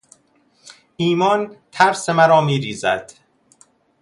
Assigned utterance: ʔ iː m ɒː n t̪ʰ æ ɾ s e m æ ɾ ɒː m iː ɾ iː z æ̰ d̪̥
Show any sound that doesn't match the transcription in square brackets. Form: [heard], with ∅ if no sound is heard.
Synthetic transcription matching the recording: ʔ iː m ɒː n t̪ʰ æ ɾ s e m æ ɾ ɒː m iː ɾ iː z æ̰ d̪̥